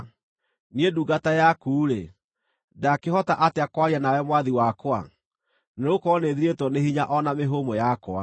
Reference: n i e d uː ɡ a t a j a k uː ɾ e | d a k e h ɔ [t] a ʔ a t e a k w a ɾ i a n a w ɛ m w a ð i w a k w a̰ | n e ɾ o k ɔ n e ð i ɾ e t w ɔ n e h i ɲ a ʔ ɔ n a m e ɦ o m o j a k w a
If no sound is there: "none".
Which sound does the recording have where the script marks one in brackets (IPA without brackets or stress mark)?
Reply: t